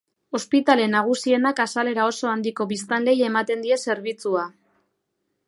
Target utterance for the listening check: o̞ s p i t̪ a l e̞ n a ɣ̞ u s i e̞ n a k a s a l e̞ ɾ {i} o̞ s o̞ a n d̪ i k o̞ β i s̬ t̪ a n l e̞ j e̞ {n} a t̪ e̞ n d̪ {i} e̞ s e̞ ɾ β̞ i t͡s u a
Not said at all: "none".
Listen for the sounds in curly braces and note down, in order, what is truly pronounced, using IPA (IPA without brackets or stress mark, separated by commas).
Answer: a, m, i